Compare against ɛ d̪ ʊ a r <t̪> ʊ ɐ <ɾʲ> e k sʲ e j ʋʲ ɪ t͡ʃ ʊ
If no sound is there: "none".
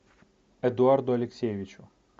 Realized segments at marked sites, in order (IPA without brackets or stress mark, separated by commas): d̪, lʲ